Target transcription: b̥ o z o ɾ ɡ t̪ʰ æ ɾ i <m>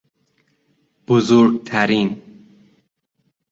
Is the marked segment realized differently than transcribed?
yes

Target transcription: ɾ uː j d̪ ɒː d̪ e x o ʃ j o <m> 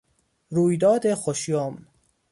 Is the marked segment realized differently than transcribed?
no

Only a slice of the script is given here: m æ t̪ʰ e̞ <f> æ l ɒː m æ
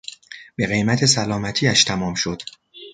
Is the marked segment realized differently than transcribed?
yes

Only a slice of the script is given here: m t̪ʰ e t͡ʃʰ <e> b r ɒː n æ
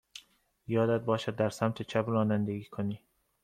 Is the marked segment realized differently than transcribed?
yes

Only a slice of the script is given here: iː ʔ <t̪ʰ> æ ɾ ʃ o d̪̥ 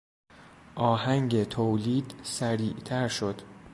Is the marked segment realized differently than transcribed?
no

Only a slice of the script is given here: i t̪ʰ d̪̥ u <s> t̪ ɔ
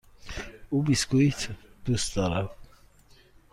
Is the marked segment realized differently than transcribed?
no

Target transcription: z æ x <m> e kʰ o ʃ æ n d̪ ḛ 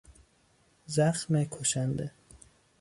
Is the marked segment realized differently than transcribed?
no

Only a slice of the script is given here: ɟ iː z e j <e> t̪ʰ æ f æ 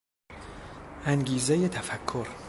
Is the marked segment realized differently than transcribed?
no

